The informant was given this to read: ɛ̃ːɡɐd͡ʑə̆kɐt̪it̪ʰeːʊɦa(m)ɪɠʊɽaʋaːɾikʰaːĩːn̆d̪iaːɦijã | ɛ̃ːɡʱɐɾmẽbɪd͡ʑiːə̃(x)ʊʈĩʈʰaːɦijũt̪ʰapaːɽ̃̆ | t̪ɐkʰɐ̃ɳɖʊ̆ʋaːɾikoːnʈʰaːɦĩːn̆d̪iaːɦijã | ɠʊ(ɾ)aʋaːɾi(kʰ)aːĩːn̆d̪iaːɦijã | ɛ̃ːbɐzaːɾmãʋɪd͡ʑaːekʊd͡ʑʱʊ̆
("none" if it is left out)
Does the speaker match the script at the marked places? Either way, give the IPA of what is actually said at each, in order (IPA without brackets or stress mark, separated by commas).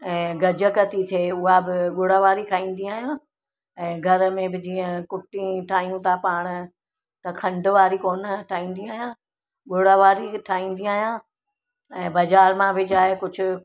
b, k, ɽ, ʈʰ